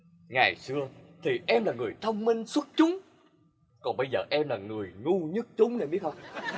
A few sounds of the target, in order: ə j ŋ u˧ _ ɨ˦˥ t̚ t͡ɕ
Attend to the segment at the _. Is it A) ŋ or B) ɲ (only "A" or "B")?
B